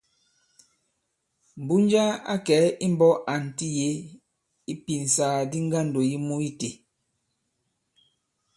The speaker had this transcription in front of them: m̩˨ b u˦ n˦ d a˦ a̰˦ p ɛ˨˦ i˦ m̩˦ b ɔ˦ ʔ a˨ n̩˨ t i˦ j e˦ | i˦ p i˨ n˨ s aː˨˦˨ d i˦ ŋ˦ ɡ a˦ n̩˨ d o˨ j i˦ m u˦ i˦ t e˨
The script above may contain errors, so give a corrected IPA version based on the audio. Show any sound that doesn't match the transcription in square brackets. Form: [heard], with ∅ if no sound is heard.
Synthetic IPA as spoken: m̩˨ b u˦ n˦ [d͡ʒ] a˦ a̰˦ [k] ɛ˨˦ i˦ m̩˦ b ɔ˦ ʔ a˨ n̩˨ t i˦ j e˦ | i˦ p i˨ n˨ s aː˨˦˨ d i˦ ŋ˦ ɡ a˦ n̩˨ d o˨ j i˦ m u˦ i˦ t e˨